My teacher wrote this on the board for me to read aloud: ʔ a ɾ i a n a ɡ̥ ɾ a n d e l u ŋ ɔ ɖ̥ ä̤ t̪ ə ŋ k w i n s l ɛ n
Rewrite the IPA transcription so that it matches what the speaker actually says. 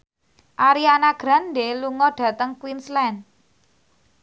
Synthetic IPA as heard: ʔ a ɾ i a n a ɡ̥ ɾ a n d e l u ŋ ɔ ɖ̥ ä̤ t̪ ə ŋ k w i n s l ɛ n